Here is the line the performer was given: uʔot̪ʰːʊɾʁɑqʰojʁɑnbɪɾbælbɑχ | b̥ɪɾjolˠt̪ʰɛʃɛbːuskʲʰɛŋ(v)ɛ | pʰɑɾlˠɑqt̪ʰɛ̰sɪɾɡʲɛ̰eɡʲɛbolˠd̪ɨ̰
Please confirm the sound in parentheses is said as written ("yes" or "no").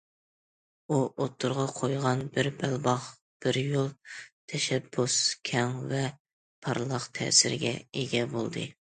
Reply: yes